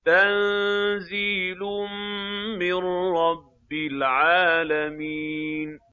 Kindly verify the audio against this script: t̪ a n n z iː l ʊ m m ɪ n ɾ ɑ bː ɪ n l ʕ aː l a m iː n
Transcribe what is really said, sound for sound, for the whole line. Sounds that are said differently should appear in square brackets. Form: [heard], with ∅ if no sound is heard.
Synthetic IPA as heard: t̪ a n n z iː l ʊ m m ɪ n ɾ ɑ bː ɪ [∅] l ʕ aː l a m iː n